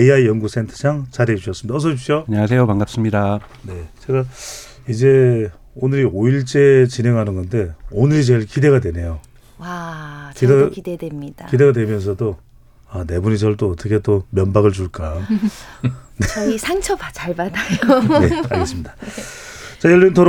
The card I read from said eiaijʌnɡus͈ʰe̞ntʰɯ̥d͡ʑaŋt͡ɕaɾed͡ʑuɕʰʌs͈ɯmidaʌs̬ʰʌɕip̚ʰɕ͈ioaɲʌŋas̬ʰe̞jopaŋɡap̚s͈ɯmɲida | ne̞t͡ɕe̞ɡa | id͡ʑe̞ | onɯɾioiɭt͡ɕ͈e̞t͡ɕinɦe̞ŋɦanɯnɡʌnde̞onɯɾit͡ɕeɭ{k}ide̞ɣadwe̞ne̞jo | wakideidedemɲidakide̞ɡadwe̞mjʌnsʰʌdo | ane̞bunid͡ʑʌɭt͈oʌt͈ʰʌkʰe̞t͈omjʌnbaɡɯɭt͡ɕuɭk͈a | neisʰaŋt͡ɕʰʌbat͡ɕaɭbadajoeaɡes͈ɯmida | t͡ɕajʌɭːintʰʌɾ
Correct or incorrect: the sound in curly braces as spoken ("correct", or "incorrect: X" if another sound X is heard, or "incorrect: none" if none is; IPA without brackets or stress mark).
correct